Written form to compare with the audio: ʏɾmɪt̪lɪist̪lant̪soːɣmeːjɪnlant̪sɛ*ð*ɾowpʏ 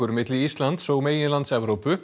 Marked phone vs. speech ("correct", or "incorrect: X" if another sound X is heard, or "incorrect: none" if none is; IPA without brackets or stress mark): incorrect: v